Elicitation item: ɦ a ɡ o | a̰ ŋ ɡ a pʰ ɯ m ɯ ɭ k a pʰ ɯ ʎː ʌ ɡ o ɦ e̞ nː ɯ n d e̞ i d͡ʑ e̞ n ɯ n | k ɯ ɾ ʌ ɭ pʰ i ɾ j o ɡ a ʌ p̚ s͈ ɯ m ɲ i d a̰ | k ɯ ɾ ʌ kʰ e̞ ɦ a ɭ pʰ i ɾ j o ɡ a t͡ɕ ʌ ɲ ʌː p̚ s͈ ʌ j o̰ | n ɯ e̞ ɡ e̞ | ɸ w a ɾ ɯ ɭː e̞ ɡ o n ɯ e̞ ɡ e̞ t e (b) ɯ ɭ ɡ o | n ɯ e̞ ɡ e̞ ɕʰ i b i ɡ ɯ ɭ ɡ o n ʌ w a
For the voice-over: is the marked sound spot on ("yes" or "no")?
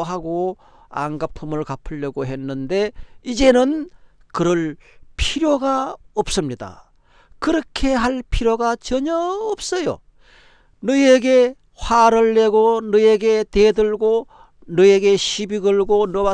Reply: no